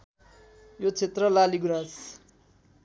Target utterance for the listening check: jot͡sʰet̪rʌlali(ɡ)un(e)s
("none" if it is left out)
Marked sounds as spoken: ɡ, a

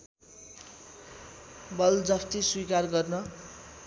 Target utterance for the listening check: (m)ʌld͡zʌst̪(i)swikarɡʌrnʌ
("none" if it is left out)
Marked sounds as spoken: b, i

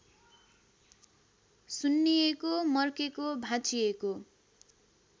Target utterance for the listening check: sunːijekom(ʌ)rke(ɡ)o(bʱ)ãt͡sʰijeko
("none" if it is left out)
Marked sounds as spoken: ʌ, k, bʱ

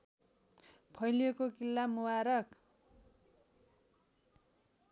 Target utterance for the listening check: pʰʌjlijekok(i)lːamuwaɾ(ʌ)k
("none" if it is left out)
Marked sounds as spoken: i, ʌ

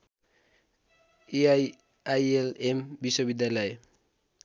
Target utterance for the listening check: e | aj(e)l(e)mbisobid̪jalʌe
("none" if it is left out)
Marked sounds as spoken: e, e

